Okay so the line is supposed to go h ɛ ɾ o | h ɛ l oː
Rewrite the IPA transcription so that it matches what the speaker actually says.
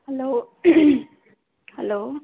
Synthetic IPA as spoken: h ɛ l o | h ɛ l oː